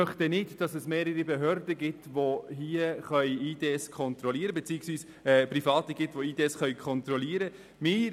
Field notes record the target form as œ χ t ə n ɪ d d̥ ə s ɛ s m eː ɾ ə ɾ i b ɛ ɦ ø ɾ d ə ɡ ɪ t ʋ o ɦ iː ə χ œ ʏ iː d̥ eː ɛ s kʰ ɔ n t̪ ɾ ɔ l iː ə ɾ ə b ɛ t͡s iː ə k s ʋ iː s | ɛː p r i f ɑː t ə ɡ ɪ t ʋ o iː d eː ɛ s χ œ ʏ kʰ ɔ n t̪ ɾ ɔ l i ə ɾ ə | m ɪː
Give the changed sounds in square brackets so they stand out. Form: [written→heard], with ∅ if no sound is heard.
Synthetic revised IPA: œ χ t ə n ɪ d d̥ [ə→ɑ] s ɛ s m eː ɾ ə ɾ i b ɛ ɦ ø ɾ d ə ɡ ɪ t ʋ o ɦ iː ə χ œ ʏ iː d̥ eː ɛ s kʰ ɔ n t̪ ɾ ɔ l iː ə ɾ ə b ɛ t͡s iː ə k s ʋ iː s | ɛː p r i f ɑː t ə ɡ ɪ t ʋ o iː d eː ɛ s χ œ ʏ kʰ ɔ n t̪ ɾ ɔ l i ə ɾ ə | m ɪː

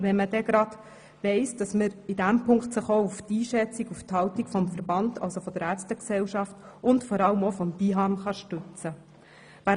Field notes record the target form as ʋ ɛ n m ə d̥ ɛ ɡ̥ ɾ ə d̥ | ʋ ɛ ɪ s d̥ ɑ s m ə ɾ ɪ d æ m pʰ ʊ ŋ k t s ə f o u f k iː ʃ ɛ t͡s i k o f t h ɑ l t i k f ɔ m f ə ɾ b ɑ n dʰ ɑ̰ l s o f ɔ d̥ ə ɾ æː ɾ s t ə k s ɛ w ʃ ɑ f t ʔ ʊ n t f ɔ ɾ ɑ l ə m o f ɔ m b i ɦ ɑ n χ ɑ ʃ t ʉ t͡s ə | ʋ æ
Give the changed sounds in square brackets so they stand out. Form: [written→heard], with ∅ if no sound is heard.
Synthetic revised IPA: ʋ ɛ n m ə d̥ ɛ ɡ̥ ɾ [ə→ɑ] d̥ | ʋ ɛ ɪ s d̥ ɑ s m ə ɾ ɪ d æ m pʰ ʊ ŋ k t s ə [f→χ] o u f [k→t] iː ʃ ɛ t͡s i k [o→u] f t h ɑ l t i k f ɔ m f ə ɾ b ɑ n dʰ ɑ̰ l s o f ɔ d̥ ə ɾ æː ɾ s t ə k s ɛ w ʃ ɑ f t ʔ ʊ n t f ɔ ɾ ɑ l ə m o f ɔ m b i ɦ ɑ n χ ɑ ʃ t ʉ t͡s ə | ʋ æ

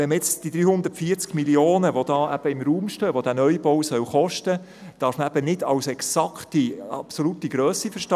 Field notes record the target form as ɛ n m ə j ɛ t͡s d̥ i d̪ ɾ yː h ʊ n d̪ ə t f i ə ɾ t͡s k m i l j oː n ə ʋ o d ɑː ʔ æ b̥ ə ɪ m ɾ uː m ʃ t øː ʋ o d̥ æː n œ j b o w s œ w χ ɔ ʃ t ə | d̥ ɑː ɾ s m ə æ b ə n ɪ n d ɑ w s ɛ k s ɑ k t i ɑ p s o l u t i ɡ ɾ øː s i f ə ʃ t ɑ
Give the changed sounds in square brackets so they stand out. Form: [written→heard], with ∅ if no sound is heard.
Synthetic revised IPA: ɛ n m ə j ɛ t͡s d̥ i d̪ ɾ yː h ʊ n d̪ ə t f i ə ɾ t͡s k m i l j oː n ə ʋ o d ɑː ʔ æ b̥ ə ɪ m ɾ uː m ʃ t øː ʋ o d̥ æː n œ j b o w s œ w χ ɔ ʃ t ə | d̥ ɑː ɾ [s→f] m ə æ b ə n ɪ [n→∅] d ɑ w s ɛ k s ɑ k t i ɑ p s o l u t i ɡ ɾ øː s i f ə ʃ t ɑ

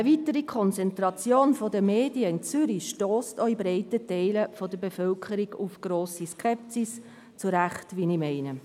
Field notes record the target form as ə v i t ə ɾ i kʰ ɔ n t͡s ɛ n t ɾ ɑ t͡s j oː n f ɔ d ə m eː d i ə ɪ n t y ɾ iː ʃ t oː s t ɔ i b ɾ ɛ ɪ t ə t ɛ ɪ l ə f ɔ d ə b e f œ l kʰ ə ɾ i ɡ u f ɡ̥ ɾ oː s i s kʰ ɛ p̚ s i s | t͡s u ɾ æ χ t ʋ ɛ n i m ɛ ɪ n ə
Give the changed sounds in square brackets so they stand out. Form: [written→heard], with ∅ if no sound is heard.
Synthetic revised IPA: ə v i t ə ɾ i kʰ ɔ n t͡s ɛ n t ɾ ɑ t͡s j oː n f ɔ d ə m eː d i ə ɪ n [t→t͡s] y ɾ [iː→i] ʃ t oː s t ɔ i b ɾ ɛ ɪ t ə t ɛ ɪ l ə f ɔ d ə b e f œ l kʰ ə ɾ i ɡ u f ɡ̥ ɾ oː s i s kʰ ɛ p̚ s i s | t͡s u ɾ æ χ t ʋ [ɛ→i] n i m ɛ ɪ n ə

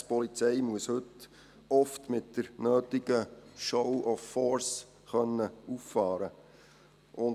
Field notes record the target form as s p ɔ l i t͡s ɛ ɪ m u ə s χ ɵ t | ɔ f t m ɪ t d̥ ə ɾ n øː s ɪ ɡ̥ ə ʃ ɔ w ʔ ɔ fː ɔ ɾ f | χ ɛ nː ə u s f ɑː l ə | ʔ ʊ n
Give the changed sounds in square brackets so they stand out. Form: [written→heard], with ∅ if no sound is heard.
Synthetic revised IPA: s p ɔ l i t͡s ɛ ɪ m u ə s [χ→h] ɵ t | ɔ f t m ɪ t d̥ ə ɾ n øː [s→t] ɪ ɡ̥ ə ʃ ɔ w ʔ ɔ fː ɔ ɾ [f→s] | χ [ɛ→œ] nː ə u [s→f] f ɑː [l→ɾ] ə | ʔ ʊ n

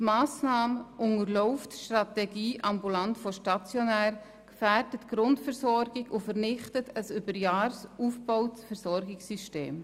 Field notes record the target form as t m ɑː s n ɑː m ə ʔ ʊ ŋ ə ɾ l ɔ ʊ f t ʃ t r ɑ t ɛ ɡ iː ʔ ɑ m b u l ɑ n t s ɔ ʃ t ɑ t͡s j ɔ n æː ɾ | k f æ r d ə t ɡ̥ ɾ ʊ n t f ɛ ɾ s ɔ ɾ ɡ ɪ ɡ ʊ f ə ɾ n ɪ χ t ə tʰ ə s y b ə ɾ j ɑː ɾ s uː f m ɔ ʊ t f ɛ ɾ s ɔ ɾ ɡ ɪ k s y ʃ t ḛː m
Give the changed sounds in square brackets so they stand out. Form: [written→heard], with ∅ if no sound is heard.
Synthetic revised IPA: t m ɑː s n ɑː m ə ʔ ʊ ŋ ə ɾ l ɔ ʊ f t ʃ t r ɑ t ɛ ɡ iː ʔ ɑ m b u l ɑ n t [s→f] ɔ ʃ t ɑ t͡s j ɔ n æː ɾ | k f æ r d ə t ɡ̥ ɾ ʊ n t f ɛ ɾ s ɔ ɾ ɡ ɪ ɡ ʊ f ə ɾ n ɪ χ t ə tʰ ə s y b ə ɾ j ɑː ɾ s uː f [m→b] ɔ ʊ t f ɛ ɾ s ɔ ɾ ɡ ɪ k s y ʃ t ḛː m

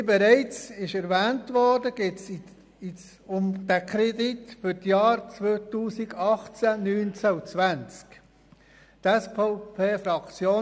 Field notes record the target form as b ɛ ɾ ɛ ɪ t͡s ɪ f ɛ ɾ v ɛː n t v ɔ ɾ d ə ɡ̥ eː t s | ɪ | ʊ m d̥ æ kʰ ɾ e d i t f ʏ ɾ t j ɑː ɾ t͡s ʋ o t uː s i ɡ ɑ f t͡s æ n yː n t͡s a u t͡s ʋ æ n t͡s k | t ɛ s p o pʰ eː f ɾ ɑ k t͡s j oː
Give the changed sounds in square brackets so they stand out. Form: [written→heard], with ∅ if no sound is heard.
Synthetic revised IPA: b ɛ ɾ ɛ ɪ t͡s ɪ [f→ʃ] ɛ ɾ v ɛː n t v ɔ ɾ d ə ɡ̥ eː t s | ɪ | ʊ m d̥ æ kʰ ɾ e d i t f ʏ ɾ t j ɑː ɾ t͡s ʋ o t uː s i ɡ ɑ [f→χ] t͡s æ n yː n t͡s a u t͡s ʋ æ n t͡s k | t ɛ s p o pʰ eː f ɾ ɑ k t͡s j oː

